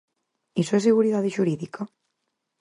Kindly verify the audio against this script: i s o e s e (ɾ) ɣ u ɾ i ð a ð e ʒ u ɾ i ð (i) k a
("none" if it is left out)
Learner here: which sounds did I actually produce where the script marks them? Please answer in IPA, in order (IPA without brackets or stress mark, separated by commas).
none, i